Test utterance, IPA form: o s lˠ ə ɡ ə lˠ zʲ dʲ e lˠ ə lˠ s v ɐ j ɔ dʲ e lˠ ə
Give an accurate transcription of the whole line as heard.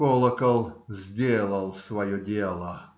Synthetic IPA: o lˠ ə k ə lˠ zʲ dʲ e lˠ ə lˠ s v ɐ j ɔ dʲ e lˠ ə